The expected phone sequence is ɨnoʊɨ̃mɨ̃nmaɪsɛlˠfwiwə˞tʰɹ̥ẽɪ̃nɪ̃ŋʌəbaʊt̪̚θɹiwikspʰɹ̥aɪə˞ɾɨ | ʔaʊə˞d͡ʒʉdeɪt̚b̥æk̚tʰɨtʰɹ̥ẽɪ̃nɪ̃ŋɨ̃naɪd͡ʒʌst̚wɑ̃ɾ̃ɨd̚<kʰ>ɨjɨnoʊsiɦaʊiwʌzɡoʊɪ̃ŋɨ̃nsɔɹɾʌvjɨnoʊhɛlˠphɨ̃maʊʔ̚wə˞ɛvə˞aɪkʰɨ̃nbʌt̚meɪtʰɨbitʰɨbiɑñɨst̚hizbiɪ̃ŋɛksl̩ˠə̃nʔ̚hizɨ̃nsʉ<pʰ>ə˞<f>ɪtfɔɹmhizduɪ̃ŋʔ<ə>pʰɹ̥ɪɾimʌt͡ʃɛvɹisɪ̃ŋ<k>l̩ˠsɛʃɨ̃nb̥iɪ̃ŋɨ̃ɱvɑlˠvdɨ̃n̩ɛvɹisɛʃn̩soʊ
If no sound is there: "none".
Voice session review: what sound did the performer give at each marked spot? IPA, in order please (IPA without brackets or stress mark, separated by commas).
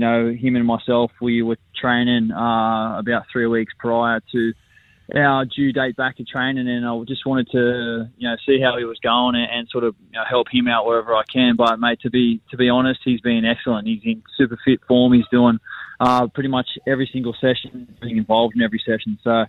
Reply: tʰ, p, f, ʌ, ɡ